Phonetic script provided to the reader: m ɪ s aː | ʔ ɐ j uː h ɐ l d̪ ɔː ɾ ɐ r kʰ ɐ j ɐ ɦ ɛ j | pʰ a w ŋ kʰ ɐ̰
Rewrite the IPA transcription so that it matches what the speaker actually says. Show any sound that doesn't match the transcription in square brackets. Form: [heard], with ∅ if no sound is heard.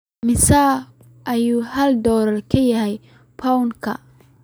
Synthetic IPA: m ɪ s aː | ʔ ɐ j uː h ɐ l d̪ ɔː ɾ ɐ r kʰ ɐ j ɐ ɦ ɛ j | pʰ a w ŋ kʰ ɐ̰